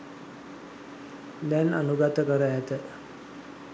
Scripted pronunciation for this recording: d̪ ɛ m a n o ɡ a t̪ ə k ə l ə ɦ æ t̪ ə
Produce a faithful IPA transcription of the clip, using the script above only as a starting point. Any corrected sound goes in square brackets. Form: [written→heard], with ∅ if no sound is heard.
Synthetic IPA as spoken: d̪ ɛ [m→n] a n [o→u] ɡ a t̪ ə k ə [l→ɾ] ə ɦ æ t̪ ə